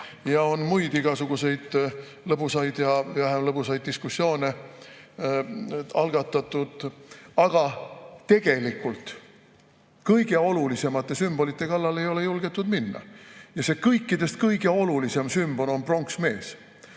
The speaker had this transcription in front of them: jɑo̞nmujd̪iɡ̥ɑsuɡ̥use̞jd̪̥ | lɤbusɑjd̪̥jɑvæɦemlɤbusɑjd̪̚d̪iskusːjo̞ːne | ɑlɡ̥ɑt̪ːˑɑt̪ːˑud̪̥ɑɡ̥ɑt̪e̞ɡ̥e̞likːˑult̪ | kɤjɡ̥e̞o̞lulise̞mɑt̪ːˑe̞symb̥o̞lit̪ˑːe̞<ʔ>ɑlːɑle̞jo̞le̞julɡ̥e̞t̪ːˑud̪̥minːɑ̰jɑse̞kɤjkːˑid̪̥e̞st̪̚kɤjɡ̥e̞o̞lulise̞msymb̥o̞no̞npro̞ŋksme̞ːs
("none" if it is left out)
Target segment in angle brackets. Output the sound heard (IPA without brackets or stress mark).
k